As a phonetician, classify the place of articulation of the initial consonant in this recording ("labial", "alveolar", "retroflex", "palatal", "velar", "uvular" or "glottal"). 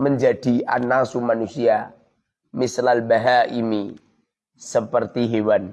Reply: labial